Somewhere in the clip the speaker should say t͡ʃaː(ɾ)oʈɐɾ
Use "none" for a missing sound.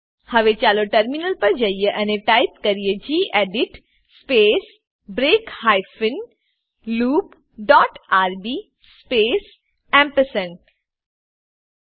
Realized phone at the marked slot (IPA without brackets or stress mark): l